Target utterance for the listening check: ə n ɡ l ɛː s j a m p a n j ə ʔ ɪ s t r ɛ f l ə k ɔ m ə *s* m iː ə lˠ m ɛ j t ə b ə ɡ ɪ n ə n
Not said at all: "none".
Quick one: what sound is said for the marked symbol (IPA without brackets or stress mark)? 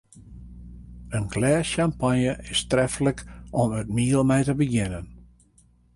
t